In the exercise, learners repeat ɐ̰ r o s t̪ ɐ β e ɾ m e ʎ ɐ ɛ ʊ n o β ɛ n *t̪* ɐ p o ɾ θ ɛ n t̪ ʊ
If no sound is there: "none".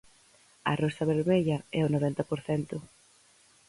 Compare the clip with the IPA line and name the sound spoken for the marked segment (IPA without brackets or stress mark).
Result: t̪